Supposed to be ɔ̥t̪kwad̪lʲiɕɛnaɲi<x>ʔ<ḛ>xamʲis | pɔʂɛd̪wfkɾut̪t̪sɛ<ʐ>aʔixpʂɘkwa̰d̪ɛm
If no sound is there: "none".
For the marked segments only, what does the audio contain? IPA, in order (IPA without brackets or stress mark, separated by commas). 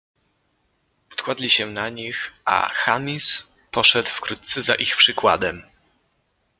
x, a̰, z